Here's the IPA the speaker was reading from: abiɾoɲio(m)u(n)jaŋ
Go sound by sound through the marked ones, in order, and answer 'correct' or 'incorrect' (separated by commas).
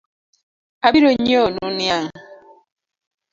incorrect, correct